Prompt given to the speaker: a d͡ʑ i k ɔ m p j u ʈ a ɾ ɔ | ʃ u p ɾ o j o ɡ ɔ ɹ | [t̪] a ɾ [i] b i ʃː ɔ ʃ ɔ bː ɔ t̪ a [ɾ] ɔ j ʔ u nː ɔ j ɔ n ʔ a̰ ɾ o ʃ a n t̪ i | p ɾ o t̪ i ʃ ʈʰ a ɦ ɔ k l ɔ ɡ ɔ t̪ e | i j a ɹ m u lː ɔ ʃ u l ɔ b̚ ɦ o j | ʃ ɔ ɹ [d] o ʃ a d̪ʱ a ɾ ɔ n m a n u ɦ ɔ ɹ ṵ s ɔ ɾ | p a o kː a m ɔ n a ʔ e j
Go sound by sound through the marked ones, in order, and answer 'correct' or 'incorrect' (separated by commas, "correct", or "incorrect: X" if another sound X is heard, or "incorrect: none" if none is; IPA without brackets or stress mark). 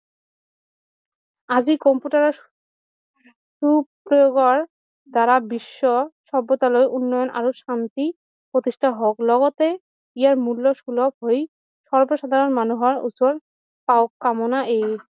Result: incorrect: d̪, incorrect: a, incorrect: l, incorrect: b